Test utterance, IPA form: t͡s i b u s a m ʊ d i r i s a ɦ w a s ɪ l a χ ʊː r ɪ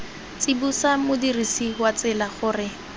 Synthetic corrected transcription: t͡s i b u s a m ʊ d i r i s i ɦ w a t͡s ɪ l a χ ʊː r ɪ